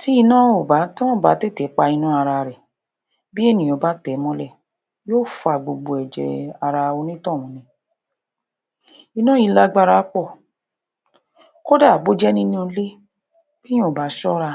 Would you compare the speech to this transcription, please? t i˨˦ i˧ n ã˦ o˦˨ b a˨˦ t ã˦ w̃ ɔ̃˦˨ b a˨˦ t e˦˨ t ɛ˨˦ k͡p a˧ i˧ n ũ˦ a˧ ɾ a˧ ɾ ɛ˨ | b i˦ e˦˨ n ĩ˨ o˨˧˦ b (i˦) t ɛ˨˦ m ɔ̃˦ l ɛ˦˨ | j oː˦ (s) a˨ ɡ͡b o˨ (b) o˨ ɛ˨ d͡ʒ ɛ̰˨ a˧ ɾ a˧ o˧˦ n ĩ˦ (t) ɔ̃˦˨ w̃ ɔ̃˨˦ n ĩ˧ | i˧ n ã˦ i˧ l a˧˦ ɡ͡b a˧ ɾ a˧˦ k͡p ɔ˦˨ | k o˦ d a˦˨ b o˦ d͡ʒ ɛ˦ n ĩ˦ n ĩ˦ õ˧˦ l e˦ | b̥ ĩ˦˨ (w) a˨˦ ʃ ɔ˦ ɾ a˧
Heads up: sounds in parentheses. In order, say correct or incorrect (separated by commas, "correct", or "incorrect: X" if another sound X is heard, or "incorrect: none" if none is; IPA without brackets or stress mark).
incorrect: a˦, incorrect: f, incorrect: ɡ͡b, correct, incorrect: b